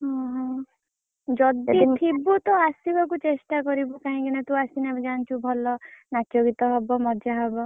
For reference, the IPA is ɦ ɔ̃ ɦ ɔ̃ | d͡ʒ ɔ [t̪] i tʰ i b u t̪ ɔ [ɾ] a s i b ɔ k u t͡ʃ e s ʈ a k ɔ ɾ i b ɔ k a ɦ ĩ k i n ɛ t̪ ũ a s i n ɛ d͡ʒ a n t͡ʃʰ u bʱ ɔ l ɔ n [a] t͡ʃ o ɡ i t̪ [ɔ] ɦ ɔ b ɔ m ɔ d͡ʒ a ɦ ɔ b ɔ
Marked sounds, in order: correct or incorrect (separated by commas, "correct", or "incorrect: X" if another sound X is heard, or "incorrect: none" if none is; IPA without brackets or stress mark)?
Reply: incorrect: d̪, incorrect: none, correct, correct